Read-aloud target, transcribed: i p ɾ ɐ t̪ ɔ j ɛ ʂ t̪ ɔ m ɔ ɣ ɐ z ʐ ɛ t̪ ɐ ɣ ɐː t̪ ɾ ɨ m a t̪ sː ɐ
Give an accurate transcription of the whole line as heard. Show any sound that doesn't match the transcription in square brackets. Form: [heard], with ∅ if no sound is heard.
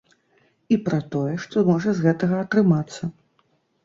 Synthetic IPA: i p ɾ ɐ t̪ ɔ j ɛ ʂ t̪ ɔ m ɔ [ʐ] ɐ z [ɣ] ɛ t̪ ɐ ɣ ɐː t̪ ɾ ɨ m a t̪ sː ɐ